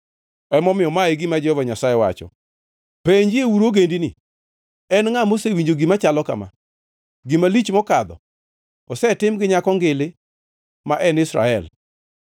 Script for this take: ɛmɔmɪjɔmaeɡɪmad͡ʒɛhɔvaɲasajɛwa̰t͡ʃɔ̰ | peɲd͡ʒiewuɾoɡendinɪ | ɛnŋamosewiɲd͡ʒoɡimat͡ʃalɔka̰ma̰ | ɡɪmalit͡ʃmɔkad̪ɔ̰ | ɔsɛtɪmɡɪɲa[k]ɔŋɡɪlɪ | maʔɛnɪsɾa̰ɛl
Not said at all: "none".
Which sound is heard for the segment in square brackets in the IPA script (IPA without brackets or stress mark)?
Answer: k